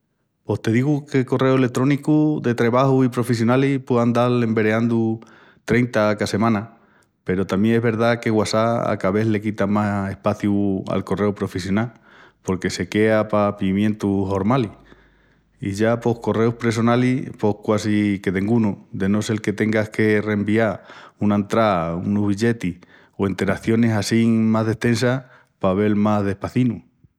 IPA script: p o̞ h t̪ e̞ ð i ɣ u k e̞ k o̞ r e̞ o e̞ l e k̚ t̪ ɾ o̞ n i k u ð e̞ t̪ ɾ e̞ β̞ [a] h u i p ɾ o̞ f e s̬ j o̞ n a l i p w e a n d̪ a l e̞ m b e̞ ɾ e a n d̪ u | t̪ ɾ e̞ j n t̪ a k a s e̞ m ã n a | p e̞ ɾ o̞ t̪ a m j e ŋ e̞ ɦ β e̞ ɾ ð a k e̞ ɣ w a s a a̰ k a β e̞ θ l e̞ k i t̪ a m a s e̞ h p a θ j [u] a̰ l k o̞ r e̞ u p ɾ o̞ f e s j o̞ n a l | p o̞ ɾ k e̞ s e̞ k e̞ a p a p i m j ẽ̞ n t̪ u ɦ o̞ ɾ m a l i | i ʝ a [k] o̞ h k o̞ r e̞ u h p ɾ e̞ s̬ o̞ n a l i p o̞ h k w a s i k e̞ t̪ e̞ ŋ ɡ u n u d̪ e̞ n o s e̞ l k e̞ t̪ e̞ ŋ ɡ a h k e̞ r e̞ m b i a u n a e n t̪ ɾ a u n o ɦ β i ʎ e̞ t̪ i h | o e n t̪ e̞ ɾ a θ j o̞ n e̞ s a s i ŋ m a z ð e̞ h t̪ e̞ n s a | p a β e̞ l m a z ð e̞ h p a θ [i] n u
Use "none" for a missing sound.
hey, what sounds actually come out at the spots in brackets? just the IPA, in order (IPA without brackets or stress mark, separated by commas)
a, u, p, i